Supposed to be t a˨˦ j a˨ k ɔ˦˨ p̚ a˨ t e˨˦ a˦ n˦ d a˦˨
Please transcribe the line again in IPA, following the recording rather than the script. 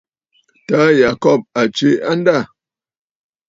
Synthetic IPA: t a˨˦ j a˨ k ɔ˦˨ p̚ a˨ t͡ʃ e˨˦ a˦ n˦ d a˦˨